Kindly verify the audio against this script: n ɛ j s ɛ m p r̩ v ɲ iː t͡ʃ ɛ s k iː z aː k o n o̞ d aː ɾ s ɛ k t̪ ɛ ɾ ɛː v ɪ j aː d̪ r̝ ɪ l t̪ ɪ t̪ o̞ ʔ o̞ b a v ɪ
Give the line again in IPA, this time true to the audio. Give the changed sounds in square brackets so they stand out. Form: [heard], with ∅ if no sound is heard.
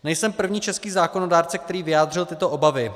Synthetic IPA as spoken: n ɛ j s ɛ m p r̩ v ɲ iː t͡ʃ ɛ s k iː z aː k o n o̞ d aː ɾ [t͡s] ɛ k t̪ ɛ ɾ [iː] v ɪ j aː d̪ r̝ ɪ l t̪ ɪ t̪ o̞ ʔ o̞ b a v ɪ